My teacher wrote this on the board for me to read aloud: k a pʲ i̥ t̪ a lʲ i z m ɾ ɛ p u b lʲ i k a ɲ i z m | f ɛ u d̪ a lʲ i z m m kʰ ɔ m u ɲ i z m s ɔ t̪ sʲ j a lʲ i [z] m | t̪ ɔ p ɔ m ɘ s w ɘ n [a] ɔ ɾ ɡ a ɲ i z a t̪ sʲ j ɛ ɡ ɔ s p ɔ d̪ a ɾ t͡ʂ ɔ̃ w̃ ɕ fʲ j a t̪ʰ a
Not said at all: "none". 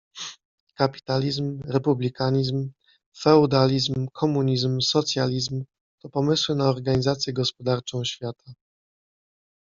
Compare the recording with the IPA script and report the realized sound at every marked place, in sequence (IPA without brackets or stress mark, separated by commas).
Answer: z, a